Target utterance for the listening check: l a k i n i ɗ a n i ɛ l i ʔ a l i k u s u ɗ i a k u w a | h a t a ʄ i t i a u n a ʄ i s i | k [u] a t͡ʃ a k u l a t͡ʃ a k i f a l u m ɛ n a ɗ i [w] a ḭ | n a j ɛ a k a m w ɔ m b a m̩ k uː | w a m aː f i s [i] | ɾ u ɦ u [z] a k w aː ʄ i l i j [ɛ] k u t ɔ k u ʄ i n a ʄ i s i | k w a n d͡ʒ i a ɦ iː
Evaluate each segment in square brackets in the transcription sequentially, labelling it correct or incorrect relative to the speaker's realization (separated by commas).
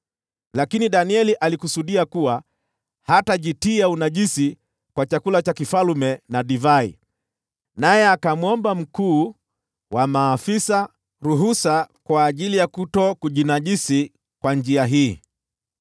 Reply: incorrect, incorrect, incorrect, incorrect, incorrect